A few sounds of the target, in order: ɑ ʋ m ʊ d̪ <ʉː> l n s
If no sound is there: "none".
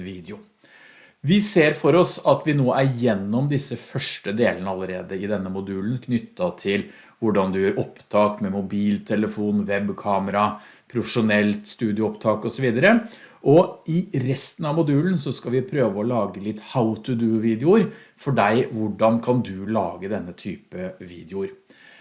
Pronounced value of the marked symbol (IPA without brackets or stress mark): ʉː